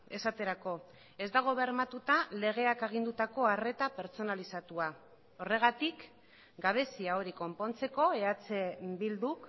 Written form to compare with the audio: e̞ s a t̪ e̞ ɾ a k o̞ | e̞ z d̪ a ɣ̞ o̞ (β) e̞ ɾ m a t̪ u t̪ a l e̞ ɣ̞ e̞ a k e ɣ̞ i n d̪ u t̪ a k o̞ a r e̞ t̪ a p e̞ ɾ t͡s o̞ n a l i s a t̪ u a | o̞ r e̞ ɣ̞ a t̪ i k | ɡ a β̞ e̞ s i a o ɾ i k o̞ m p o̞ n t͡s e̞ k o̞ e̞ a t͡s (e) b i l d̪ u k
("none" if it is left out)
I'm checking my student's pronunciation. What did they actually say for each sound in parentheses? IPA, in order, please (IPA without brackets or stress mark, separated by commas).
β, e